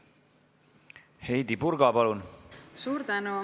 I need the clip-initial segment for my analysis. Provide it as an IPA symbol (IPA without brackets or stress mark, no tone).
h